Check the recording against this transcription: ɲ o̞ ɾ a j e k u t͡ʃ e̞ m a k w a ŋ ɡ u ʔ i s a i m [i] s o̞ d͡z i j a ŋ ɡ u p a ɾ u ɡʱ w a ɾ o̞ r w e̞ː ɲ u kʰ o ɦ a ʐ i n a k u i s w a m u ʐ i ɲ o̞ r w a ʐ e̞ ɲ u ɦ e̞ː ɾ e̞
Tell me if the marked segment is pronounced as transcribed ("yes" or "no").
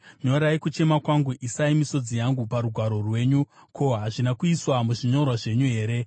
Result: yes